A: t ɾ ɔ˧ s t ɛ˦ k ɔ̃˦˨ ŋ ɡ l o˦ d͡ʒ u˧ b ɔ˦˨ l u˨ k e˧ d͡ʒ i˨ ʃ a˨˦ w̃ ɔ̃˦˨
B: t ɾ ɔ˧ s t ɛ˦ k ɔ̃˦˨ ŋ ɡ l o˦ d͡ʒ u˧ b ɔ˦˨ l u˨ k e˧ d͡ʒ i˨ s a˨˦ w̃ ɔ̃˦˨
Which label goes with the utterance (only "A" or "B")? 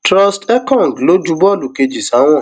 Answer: B